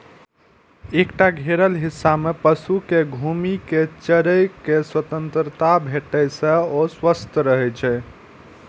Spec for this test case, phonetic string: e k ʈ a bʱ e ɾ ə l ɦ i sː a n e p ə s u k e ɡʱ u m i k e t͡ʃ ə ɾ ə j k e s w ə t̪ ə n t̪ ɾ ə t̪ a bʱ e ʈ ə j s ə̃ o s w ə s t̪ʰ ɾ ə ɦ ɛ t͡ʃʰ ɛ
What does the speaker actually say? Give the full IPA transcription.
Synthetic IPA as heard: e k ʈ a ɡʱ e ɾ ə l ɦ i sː a m e p ə s u k e ɡʱ u m i k e t͡ʃ ə ɾ ə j k e s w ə t̪ ə n t̪ ɾ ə t̪ a bʱ e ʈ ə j s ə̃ o s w ə s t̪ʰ ɾ ə ɦ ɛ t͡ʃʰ ɛ